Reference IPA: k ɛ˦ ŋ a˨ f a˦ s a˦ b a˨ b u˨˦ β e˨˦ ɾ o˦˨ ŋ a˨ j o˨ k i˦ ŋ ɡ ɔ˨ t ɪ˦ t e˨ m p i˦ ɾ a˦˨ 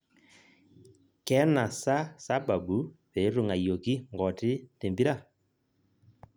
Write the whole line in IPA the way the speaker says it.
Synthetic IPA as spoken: k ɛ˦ n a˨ s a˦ s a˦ b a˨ b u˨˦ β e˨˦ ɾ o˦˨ ŋ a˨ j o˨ k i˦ ŋ ɡ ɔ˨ t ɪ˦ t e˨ m b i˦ ɾ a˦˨